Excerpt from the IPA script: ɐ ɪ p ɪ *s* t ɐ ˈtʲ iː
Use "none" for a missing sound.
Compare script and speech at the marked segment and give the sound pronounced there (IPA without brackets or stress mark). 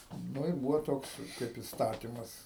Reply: s